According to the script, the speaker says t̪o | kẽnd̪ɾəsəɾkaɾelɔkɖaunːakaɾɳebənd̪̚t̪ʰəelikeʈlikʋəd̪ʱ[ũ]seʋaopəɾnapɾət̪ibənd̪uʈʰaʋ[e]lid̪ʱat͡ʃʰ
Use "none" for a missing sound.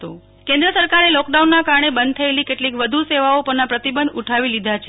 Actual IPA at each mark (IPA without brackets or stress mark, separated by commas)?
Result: u, i